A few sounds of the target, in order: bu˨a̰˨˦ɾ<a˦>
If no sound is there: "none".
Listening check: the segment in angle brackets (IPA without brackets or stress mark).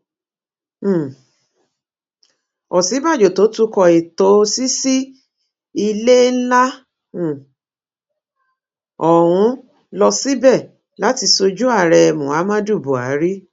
i˦